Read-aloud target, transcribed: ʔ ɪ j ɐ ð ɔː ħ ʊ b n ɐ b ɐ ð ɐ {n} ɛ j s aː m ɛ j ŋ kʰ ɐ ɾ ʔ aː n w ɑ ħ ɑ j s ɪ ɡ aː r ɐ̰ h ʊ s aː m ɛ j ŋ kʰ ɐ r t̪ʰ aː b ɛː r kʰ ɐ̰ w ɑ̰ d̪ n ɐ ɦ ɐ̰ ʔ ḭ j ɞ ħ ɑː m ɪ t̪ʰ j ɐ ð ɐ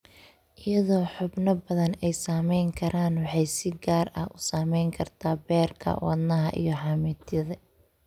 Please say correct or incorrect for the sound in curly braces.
correct